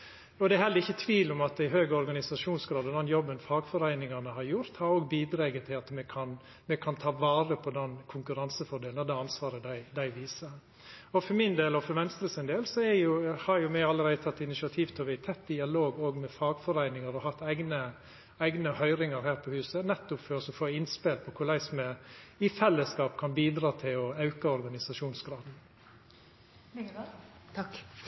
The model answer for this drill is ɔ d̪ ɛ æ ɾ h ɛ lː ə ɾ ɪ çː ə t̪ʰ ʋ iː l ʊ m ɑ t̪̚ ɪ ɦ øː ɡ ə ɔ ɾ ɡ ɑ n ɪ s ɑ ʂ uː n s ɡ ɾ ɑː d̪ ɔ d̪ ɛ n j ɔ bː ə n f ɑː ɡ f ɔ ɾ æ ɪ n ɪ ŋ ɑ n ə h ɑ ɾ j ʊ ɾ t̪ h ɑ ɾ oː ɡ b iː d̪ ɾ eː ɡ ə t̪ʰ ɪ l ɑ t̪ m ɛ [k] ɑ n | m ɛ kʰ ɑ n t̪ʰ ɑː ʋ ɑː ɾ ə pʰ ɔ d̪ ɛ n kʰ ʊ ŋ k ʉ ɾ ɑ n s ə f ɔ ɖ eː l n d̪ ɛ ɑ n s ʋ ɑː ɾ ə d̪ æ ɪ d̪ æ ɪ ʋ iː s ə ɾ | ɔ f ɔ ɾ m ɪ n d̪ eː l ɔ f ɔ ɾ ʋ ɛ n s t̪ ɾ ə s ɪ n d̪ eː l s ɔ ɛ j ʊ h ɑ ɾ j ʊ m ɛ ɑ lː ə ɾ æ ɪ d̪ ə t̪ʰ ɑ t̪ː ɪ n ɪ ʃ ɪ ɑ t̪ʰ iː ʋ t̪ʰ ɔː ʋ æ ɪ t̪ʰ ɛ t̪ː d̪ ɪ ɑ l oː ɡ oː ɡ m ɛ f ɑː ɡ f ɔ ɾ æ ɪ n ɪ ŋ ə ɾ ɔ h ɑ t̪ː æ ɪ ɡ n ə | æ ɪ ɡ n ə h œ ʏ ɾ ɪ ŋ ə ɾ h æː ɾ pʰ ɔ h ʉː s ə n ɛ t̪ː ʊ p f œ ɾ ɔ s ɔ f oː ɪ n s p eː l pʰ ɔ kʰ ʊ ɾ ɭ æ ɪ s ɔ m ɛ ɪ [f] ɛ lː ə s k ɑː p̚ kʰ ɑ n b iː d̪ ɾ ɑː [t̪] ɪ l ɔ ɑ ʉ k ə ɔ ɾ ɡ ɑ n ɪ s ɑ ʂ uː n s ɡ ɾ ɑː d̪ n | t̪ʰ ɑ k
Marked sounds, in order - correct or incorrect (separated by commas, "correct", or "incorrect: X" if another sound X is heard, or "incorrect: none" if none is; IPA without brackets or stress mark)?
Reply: incorrect: kʰ, correct, incorrect: t̪ʰ